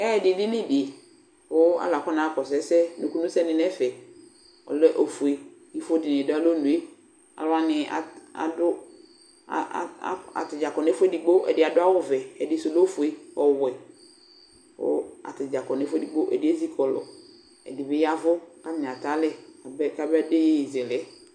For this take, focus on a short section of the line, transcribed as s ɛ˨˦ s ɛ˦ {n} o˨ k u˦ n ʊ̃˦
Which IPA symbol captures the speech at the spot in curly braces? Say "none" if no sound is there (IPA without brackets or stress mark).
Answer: n